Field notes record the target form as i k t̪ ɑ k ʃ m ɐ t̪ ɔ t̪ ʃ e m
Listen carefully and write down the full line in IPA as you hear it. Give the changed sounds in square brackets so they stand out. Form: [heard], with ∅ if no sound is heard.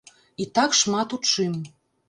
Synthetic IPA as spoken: i [∅] t̪ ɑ k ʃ m [ɑ] t̪ [u] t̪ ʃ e m